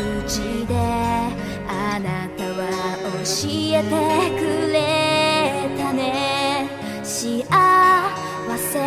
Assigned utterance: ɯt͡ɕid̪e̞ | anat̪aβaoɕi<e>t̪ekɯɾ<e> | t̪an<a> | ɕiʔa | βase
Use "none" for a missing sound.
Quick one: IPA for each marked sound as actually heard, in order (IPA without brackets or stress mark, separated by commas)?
e, e, e